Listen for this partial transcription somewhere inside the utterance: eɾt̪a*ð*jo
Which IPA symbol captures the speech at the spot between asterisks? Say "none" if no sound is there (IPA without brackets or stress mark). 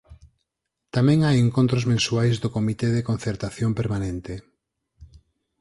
θ